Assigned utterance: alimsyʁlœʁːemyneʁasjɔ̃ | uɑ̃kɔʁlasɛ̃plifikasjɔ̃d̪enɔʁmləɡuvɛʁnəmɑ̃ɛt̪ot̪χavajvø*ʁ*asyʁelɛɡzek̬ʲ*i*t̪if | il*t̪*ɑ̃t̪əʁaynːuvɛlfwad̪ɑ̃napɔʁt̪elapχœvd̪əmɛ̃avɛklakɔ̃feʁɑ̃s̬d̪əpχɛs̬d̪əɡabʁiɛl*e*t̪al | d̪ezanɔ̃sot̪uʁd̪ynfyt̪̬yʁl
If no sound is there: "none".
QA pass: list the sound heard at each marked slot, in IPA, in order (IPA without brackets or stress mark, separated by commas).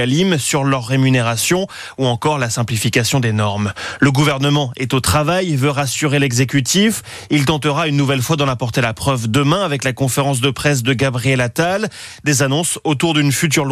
ʁ, y, t̪, a